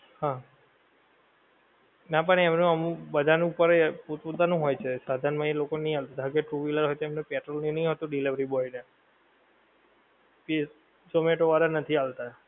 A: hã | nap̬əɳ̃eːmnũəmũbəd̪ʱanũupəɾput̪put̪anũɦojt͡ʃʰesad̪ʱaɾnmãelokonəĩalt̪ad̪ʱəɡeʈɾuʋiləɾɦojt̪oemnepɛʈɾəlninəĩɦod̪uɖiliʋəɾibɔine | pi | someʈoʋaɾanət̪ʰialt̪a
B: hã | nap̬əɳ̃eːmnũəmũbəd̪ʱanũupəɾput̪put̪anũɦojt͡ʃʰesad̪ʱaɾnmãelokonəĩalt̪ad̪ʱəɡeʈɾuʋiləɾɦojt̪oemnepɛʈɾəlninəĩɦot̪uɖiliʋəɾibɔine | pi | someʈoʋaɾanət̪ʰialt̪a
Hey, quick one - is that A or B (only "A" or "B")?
B